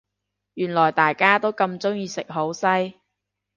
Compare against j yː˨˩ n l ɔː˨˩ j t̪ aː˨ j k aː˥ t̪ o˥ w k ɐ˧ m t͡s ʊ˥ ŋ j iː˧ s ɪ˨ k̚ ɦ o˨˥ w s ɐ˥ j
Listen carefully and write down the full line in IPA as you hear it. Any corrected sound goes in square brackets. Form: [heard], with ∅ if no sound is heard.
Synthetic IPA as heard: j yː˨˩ n l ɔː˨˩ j t̪ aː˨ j k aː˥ t̪ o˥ w k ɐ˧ m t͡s ʊ˥ ŋ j iː˧ s ɪ˨ k̚ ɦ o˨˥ w s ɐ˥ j